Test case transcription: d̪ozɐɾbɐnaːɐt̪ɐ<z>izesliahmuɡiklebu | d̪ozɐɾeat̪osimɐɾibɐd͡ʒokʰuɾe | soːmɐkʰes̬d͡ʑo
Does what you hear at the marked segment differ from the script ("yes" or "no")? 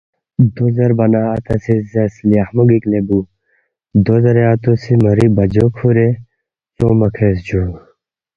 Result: yes